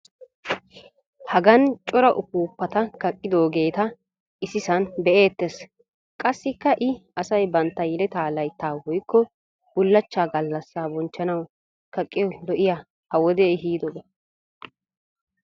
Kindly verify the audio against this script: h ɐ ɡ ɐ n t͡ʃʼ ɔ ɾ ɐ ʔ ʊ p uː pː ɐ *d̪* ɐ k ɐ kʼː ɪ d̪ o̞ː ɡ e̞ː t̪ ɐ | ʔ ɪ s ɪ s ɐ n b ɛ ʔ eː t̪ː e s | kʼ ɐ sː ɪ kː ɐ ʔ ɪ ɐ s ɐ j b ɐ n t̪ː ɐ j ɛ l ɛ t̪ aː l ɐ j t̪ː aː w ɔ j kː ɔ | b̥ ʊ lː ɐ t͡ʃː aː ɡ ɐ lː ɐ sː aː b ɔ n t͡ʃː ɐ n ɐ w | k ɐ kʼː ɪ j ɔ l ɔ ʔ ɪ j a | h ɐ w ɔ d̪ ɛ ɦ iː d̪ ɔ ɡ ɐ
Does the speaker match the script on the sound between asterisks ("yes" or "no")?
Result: no